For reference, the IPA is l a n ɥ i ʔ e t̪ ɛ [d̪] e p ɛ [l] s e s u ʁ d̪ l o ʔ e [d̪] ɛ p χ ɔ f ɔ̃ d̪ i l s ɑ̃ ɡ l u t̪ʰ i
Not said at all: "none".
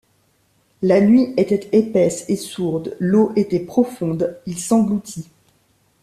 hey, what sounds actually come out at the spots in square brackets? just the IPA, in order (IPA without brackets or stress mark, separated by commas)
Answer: t̪, none, t̪